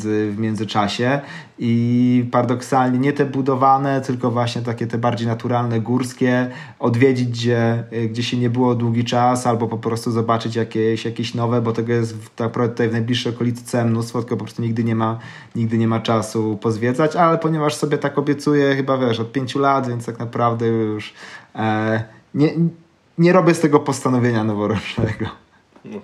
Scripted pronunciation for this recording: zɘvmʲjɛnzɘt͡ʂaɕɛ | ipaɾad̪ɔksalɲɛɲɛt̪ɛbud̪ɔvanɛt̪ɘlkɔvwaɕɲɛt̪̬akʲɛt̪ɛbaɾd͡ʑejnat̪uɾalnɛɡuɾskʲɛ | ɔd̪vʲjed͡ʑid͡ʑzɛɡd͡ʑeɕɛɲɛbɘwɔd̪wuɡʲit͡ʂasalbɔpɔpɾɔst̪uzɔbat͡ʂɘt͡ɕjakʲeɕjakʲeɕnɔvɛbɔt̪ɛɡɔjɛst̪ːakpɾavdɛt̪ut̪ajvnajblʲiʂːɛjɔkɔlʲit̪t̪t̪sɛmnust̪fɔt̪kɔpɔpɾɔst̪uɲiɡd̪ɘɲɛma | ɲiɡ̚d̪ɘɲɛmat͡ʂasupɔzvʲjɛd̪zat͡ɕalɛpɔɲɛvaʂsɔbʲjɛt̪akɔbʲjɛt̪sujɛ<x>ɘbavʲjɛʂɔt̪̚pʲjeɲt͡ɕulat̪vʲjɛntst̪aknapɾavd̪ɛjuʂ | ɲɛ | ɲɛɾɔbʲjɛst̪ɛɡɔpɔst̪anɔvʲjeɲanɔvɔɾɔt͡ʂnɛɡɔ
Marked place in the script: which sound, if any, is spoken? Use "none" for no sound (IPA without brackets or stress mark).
x